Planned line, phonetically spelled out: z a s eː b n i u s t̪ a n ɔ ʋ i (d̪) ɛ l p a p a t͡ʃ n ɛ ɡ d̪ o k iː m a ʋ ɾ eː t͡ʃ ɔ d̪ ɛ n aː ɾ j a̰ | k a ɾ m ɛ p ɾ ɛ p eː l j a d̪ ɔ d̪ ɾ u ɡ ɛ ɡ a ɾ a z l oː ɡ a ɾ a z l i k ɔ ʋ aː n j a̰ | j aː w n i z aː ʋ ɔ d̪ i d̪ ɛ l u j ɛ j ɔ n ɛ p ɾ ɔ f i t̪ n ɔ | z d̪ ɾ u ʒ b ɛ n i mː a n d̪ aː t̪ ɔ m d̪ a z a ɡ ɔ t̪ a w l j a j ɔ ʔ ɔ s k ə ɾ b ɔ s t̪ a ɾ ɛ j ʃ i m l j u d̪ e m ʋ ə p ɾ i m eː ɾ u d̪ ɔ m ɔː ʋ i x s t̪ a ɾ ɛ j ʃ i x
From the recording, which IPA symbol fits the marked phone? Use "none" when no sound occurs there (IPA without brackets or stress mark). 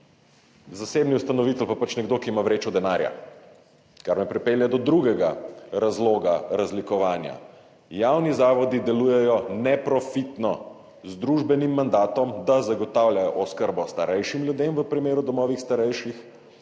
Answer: t̪